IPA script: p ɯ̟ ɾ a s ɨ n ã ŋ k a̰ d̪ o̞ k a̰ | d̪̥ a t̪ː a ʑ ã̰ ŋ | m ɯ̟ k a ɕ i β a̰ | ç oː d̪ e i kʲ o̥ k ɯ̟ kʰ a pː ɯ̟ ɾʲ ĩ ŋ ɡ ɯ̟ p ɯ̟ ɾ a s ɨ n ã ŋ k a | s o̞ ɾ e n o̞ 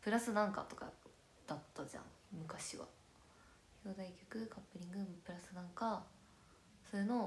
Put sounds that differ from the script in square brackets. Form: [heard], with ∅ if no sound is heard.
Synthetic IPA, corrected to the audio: p ɯ̟ ɾ a s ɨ n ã ŋ k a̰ [t̪] o̞ k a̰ | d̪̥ a t̪ː a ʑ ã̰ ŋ | m ɯ̟ k a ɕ i β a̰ | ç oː d̪ [a] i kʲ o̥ k ɯ̟ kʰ a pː ɯ̟ ɾʲ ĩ ŋ ɡ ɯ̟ p ɯ̟ ɾ a s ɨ n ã ŋ k a | s o̞ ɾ e n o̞